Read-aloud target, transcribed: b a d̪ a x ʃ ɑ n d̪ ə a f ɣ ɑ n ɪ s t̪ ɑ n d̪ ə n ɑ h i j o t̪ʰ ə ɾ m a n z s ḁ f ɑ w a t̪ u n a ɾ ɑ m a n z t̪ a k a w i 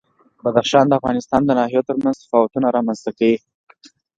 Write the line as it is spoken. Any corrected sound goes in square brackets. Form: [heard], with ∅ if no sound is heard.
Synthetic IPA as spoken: b a d̪ a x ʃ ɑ n d̪ ə a f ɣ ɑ n ɪ s t̪ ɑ n d̪ ə n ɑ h i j o [t̪] ə ɾ m a n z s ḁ f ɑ w a t̪ u n a ɾ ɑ m a n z t̪ a k a w i